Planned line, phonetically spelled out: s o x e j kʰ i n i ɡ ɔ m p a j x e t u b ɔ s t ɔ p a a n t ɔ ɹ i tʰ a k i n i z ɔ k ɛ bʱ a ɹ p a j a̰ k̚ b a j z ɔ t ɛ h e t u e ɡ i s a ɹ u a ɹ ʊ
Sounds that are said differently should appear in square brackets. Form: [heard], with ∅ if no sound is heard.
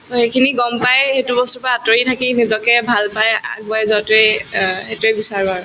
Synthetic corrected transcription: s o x e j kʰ i n i ɡ ɔ m p a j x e t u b ɔ s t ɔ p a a [∅] t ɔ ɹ i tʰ a k i n i z ɔ k ɛ bʱ a [l] p a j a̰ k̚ b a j z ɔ t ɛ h e t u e [b] i s a ɹ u a ɹ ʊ